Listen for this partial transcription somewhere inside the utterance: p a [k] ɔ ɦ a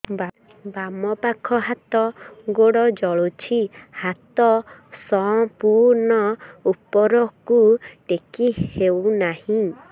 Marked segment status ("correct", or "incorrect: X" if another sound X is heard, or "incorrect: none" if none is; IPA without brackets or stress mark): incorrect: kʰ